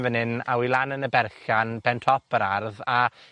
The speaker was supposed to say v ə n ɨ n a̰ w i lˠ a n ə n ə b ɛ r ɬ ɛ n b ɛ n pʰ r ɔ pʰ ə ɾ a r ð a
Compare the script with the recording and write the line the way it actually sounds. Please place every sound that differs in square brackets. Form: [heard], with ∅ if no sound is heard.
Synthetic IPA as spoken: v ə n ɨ n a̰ w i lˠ a n ə n ə b ɛ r ɬ [a] n b ɛ n [tʰ] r ɔ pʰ ə ɾ a r ð a